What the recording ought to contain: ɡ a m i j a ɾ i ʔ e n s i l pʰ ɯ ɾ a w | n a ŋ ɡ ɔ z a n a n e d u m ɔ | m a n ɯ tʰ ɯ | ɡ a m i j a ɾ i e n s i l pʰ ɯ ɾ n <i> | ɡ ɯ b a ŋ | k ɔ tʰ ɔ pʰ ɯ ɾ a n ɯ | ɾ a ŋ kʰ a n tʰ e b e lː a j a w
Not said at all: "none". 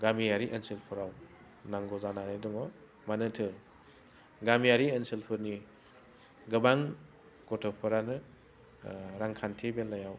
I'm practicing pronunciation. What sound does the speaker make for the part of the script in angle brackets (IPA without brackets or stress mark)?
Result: i